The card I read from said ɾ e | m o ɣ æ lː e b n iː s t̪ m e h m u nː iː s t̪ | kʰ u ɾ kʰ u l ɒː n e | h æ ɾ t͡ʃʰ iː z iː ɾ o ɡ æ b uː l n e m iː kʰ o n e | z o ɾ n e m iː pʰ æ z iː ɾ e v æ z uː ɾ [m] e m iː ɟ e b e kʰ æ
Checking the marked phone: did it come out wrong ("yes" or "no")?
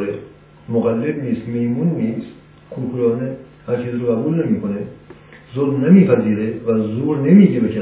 yes